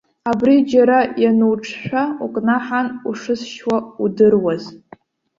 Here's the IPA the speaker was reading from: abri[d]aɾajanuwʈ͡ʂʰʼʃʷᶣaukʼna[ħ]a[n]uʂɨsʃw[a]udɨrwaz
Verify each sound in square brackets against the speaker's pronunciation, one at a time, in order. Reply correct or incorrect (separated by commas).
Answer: incorrect, correct, correct, correct